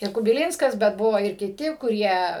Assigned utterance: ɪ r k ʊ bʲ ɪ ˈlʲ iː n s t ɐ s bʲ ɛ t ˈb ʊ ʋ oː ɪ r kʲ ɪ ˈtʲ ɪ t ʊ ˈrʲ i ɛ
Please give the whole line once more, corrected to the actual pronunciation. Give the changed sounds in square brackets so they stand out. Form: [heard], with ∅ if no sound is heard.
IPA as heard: ɪ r k ʊ bʲ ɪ ˈlʲ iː n s [k] ɐ s bʲ ɛ t ˈb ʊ ʋ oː ɪ r kʲ ɪ ˈtʲ ɪ [k] ʊ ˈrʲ i ɛ